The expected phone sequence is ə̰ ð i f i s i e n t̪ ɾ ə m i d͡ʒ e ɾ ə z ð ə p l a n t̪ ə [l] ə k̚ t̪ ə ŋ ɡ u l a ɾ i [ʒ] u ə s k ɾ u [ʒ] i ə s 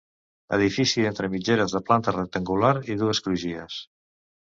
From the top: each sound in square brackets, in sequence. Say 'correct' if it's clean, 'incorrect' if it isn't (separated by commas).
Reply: incorrect, incorrect, correct